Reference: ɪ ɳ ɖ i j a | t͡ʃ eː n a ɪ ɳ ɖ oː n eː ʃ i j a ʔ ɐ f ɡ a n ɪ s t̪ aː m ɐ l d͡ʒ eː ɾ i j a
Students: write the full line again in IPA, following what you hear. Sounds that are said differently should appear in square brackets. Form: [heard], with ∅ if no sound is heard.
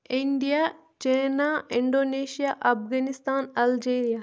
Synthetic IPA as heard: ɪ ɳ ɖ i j a | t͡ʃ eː n a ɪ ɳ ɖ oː n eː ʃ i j a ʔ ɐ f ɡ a n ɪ s t̪ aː [n] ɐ l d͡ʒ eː ɾ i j a